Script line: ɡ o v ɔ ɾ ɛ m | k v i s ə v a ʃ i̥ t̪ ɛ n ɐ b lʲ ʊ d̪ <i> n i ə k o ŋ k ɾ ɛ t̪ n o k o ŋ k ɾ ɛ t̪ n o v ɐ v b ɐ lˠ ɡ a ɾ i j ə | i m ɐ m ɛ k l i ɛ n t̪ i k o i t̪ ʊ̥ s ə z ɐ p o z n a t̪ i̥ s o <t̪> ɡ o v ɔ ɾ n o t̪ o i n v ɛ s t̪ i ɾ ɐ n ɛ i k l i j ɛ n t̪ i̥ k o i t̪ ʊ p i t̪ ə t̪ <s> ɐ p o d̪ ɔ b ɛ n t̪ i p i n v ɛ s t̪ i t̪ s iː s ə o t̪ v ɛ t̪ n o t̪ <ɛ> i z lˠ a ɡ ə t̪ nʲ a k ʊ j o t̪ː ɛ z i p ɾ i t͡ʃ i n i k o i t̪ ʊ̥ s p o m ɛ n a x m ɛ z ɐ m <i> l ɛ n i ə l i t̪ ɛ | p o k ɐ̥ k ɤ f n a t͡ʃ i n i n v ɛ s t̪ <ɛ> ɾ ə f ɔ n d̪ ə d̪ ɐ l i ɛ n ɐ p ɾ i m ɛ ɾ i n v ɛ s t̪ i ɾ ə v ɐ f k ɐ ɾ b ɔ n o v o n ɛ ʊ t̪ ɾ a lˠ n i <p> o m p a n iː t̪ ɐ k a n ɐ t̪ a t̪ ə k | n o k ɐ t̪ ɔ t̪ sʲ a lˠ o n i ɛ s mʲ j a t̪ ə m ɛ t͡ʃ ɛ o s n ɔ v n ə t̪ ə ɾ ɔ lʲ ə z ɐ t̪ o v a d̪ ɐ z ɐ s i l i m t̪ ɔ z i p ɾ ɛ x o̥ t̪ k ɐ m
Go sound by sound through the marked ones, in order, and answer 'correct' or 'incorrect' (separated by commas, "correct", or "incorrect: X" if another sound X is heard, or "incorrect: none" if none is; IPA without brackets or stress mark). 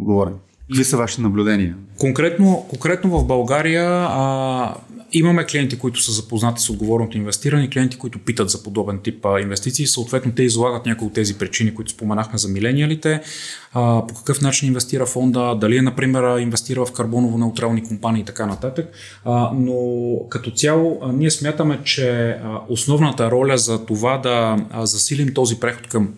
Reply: incorrect: ɛ, incorrect: d̪, incorrect: z, correct, correct, incorrect: i, incorrect: k